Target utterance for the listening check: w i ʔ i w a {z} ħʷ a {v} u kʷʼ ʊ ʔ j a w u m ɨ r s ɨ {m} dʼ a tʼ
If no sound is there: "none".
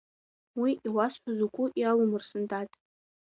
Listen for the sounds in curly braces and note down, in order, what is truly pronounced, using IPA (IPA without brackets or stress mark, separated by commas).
s, z, n